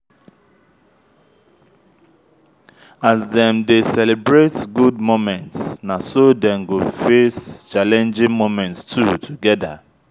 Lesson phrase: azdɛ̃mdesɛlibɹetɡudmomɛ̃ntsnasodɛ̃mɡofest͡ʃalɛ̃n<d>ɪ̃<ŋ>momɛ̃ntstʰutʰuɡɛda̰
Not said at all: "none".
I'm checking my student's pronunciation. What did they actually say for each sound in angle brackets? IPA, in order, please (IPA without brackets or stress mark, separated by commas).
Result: d͡ʒ, ŋ